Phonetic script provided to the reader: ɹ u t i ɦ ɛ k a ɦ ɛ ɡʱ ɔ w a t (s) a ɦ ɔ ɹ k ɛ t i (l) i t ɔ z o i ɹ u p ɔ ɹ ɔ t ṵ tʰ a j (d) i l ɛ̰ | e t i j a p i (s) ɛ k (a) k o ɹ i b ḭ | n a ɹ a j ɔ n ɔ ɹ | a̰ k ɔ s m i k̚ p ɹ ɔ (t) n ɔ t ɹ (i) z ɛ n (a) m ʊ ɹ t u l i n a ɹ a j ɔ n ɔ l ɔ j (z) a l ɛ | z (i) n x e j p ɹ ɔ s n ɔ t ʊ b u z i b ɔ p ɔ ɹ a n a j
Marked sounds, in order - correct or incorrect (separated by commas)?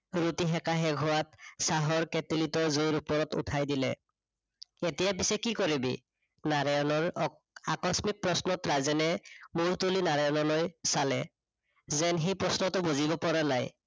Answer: correct, correct, correct, correct, incorrect, incorrect, incorrect, incorrect, incorrect, incorrect